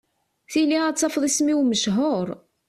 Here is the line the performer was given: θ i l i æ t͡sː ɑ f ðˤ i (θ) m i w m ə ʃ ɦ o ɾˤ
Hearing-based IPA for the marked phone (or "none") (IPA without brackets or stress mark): s